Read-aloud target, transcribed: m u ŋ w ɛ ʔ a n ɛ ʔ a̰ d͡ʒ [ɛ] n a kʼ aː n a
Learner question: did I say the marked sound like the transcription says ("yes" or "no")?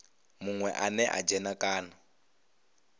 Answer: yes